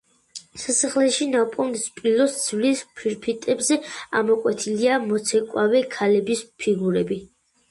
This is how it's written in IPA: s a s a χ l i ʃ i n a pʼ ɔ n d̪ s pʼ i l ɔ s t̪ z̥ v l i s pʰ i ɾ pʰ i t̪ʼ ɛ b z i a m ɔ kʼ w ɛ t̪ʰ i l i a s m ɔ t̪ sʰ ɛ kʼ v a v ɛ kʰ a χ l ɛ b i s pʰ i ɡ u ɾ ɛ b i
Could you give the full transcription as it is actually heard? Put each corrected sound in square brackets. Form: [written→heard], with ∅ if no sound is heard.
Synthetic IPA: s a s a χ l [i→ɛ] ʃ i n a pʼ ɔ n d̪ s pʼ i l ɔ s [t̪→d̪] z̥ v l i s pʰ i ɾ pʰ i t̪ʼ ɛ b z [i→ɛ] a m ɔ kʼ w ɛ t̪ʰ i l i a [s→∅] m ɔ t̪ sʰ ɛ kʼ [v→w] a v ɛ kʰ a [χ→∅] l ɛ b i s pʰ i ɡ u ɾ ɛ b i